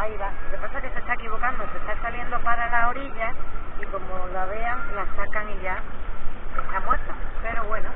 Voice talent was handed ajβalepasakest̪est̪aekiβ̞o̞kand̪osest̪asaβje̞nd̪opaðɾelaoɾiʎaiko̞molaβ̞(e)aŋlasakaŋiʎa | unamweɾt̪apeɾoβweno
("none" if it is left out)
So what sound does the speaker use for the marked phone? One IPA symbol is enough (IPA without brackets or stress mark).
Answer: e